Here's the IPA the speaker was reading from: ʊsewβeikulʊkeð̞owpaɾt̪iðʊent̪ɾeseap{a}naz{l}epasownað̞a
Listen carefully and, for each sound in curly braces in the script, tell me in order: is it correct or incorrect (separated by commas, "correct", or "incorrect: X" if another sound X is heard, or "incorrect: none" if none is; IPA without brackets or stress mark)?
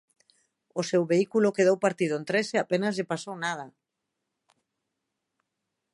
incorrect: e, incorrect: ʎ